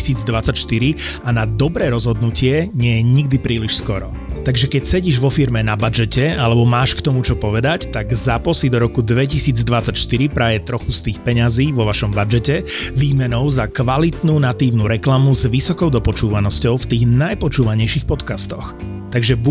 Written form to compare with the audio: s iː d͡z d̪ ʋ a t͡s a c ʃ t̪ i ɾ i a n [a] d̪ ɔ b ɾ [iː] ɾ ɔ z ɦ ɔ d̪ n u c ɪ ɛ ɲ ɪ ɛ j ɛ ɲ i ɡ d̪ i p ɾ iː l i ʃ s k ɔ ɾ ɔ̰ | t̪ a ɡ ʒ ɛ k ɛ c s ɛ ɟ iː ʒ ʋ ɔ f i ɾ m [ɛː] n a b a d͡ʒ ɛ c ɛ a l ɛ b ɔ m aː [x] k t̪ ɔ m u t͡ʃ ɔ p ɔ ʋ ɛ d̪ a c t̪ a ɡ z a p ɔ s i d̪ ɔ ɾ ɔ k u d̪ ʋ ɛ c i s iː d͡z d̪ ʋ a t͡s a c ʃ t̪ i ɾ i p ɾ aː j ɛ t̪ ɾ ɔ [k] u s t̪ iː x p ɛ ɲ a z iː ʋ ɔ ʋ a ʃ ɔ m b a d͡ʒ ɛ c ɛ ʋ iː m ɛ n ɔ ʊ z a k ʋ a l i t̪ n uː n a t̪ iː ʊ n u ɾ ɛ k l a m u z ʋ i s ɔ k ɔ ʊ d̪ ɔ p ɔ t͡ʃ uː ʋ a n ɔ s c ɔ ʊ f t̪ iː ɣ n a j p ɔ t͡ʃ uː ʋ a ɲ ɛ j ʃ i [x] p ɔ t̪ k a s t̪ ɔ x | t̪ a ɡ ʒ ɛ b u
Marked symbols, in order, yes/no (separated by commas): yes, no, no, no, no, yes